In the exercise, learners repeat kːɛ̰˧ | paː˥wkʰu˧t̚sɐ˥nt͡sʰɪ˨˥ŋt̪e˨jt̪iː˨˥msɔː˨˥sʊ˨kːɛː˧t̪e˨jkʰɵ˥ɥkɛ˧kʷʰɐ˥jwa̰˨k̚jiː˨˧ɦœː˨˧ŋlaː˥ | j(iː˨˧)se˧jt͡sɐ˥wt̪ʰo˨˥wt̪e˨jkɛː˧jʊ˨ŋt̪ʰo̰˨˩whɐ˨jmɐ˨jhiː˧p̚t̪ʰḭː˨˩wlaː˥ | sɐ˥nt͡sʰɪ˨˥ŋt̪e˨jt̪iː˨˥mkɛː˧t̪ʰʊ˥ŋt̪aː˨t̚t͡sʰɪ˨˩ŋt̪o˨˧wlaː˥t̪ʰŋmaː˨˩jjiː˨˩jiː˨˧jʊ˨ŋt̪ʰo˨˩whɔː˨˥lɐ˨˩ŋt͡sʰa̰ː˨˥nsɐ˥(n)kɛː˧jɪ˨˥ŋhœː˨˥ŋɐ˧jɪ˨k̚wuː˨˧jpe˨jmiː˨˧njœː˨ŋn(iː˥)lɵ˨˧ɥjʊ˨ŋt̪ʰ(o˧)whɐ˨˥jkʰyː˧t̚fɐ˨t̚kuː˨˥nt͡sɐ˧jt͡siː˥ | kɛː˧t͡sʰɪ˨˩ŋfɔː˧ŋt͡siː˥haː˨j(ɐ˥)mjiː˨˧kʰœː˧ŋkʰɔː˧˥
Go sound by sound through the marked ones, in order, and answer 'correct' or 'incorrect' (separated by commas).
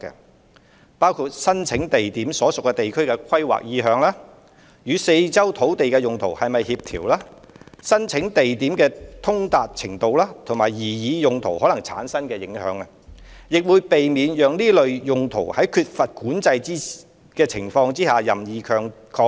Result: incorrect, correct, correct, incorrect, incorrect